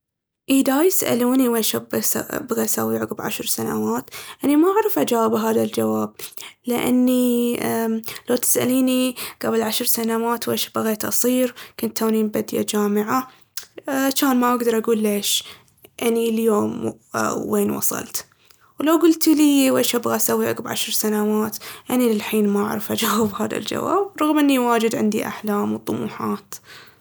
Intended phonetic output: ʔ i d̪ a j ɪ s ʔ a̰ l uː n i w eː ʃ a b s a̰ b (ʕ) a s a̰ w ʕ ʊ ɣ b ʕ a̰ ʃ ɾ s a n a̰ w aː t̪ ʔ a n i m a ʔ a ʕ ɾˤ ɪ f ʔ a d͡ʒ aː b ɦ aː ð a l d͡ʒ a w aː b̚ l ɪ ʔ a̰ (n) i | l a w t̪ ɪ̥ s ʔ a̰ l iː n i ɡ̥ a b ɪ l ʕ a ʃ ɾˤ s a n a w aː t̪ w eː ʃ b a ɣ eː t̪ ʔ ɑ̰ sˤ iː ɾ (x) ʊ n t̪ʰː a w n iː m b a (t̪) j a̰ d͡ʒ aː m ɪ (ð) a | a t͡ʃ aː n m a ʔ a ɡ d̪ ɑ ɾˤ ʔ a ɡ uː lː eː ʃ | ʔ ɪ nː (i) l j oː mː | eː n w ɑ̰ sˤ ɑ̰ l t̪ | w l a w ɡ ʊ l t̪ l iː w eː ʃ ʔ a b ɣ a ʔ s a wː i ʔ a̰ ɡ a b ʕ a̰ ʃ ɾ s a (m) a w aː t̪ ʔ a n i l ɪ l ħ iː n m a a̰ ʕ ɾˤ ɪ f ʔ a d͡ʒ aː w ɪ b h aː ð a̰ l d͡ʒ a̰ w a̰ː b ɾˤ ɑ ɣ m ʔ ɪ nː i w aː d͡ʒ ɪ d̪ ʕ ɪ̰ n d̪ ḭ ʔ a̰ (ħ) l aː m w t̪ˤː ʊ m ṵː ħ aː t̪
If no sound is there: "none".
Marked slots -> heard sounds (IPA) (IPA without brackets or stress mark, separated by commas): ɣ, nː, k, d̪, ʕ, i, n, ħ